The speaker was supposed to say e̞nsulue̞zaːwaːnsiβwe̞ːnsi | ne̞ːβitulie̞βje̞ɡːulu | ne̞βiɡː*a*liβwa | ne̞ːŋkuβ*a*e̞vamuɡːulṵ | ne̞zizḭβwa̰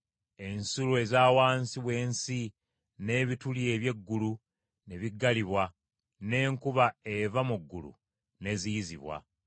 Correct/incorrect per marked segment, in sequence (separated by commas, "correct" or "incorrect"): correct, correct